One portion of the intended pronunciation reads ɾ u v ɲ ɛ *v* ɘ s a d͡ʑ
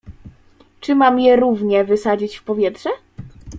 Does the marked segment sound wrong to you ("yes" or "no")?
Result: no